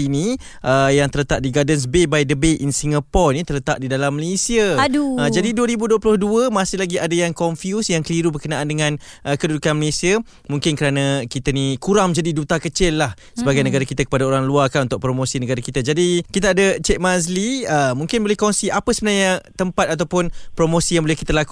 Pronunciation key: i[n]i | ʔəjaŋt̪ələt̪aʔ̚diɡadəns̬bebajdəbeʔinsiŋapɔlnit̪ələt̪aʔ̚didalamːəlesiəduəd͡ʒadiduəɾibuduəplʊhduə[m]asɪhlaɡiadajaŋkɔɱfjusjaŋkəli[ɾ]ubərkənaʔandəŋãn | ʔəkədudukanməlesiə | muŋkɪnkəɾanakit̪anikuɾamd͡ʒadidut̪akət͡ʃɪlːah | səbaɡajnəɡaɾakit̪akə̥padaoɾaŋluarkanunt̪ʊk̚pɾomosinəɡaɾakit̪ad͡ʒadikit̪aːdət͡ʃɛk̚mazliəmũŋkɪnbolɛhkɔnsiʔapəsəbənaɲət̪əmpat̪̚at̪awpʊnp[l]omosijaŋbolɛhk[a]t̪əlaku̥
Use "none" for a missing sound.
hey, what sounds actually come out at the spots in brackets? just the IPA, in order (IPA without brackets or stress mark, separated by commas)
n, m, ɾ, ɾ, i